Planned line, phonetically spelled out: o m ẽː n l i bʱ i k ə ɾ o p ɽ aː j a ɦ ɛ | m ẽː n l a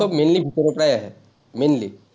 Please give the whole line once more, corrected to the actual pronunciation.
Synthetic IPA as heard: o m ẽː n l i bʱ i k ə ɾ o p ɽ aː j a ɦ ɛ | m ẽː n l i